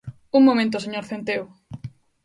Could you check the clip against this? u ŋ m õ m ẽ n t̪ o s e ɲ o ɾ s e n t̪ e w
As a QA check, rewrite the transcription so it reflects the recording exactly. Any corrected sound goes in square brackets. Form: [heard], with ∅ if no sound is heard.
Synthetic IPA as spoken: u ŋ m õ m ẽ n t̪ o s e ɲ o ɾ [θ] e n t̪ e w